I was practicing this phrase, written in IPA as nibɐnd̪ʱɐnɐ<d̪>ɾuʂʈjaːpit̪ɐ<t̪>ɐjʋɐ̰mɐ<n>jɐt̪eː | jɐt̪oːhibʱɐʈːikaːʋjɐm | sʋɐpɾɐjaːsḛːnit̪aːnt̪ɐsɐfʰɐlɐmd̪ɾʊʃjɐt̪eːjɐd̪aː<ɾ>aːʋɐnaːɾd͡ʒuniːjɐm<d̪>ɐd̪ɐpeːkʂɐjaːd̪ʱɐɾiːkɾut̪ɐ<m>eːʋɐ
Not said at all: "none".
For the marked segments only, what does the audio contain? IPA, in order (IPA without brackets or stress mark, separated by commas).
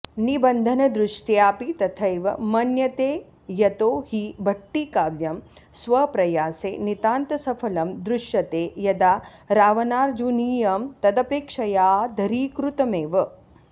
d̪, t̪ʰ, n, ɾ, t̪, m